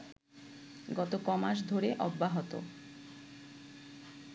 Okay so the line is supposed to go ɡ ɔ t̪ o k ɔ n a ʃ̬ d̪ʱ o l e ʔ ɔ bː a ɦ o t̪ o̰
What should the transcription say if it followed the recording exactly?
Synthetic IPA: ɡ ɔ t̪ o k ɔ m a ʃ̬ d̪ʱ o ɾ e ʔ ɔ bː a ɦ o t̪ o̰